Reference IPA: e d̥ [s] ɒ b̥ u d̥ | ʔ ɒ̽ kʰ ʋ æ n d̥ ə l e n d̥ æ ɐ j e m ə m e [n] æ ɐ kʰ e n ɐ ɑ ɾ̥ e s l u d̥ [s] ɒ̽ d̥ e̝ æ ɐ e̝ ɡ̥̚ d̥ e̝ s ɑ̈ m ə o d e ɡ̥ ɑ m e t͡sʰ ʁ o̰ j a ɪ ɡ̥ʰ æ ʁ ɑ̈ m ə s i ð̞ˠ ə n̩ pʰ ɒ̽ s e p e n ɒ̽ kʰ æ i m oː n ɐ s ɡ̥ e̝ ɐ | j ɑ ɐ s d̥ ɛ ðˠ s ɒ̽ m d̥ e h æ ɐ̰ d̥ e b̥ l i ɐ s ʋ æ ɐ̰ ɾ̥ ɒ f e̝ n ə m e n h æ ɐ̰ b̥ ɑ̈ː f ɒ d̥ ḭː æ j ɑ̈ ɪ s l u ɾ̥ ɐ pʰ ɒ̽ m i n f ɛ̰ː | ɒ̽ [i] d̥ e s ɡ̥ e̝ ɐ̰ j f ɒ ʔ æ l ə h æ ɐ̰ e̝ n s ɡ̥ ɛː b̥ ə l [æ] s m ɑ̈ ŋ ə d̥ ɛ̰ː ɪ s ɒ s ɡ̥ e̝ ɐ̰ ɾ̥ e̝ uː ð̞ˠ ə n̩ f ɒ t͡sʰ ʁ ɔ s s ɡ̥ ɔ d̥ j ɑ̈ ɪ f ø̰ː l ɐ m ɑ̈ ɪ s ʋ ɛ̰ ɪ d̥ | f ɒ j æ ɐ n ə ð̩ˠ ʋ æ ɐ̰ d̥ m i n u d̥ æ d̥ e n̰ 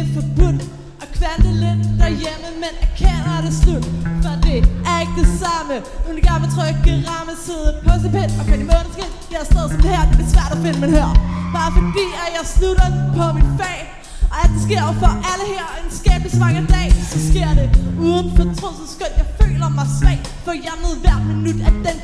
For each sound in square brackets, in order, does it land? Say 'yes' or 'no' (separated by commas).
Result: no, yes, no, no, no